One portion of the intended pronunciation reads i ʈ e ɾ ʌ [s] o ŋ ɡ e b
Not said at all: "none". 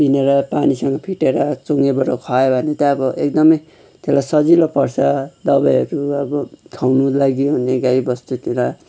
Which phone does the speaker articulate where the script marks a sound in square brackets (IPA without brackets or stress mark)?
t͡s